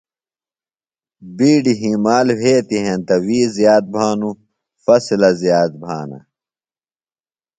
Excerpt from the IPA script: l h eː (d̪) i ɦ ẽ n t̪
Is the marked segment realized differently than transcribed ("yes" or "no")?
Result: yes